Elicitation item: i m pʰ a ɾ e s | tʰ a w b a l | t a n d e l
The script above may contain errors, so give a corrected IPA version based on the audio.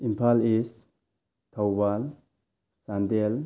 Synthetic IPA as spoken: i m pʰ a l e s | tʰ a w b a l | s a n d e l